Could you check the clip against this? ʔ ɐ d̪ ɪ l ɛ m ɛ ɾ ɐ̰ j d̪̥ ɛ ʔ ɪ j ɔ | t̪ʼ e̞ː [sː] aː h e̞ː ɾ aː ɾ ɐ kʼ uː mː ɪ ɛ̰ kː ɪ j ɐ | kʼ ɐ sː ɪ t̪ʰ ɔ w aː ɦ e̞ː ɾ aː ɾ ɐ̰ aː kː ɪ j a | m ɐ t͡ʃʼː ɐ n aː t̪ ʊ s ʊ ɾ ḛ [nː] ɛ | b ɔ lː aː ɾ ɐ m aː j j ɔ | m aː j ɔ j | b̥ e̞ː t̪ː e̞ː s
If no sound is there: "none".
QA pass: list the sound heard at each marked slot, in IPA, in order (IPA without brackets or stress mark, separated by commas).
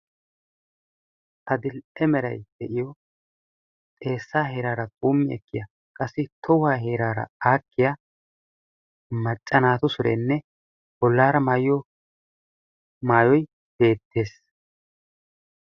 sː, nː